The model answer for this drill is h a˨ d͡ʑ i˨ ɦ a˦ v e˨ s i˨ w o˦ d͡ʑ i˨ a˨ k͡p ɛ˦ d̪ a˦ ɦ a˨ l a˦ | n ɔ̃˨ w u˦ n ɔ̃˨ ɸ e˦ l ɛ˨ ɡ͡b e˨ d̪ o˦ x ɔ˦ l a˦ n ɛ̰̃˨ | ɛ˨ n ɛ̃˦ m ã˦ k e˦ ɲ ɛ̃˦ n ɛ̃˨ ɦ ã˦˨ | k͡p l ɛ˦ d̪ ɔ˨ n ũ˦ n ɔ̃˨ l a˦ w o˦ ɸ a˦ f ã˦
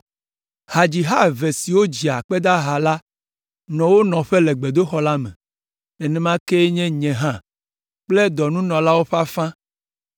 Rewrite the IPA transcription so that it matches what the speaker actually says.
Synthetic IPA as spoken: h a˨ d͡ʑ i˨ ɦ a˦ v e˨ s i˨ w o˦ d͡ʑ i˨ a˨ k͡p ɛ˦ d̪ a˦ ɦ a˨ l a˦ | n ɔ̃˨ w o˦ n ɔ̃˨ ɸ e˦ l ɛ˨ ɡ͡b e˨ d̪ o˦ x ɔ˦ l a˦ m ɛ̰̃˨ | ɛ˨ n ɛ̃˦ m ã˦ k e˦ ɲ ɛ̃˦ ɲ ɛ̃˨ ɦ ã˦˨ | k͡p l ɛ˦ d̪ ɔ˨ n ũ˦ n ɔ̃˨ l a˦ w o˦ ɸ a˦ f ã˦